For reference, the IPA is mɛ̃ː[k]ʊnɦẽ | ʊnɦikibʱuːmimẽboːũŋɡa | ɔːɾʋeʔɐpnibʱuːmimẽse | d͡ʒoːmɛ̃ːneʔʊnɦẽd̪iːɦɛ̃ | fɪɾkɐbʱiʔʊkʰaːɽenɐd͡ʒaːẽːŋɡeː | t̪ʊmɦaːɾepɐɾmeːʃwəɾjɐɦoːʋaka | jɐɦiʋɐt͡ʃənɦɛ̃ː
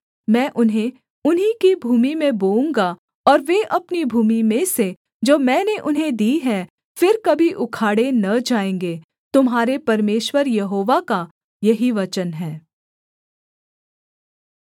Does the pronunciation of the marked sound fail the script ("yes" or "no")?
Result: yes